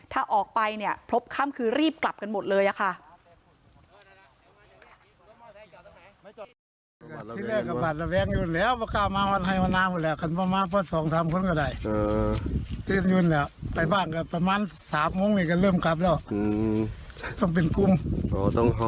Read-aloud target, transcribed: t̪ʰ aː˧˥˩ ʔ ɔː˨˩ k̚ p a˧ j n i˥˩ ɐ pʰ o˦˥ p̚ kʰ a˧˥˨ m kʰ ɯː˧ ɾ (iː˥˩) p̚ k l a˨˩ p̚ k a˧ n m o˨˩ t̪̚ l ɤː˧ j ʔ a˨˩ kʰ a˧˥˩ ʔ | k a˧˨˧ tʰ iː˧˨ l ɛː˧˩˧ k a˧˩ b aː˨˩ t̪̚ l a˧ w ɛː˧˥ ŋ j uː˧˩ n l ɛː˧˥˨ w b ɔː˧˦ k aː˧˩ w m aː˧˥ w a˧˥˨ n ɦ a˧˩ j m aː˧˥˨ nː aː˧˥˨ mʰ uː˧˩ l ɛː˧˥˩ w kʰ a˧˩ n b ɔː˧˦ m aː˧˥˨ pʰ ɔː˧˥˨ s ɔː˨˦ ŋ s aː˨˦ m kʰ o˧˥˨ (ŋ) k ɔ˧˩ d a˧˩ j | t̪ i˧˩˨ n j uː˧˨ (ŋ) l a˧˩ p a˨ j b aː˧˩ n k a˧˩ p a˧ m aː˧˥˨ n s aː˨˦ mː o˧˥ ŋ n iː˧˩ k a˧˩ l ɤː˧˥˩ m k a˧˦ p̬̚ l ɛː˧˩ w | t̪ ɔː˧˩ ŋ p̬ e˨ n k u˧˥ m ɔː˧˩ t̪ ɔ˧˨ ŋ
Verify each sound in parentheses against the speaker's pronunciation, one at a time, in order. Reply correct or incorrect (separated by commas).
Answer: correct, incorrect, incorrect